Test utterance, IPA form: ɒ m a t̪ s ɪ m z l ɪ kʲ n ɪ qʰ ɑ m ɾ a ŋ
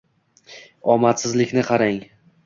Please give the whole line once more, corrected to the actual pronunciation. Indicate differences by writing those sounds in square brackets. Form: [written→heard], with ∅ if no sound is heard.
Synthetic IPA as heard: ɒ m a t̪ s ɪ [m→∅] z l ɪ kʲ n ɪ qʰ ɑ [m→∅] ɾ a ŋ